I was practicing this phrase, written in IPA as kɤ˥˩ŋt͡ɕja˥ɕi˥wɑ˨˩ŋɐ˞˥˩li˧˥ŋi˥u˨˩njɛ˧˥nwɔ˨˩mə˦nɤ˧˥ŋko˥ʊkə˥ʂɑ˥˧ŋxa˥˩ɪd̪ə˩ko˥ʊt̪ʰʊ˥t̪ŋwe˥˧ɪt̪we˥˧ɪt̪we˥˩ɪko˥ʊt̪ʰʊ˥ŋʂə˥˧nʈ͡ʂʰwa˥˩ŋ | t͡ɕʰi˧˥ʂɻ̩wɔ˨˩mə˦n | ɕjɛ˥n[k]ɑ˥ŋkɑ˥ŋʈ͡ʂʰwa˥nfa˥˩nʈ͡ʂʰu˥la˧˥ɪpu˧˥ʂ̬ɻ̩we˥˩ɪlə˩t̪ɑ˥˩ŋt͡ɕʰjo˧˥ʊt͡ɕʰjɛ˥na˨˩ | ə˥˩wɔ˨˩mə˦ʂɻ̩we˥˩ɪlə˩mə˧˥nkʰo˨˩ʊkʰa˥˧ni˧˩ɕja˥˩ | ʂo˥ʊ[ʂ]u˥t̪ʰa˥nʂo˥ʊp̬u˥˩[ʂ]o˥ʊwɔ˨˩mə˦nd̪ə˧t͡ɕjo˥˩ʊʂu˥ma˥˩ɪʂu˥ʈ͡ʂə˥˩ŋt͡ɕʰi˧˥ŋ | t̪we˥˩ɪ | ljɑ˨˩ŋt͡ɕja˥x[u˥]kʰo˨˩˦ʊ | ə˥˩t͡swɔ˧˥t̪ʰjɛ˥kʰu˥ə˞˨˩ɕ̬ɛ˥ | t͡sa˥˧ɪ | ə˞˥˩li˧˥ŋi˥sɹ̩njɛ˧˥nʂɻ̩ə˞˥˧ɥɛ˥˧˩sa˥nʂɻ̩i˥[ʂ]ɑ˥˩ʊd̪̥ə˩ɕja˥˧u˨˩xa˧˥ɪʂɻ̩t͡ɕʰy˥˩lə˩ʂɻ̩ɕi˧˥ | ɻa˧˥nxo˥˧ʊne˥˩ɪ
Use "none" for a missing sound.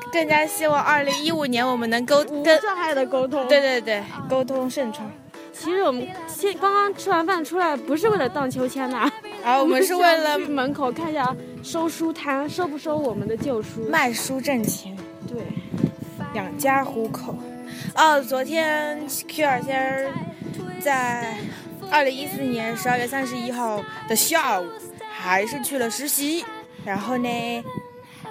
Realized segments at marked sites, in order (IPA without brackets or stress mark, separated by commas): k, ʂ, ʂ, u˧˥, x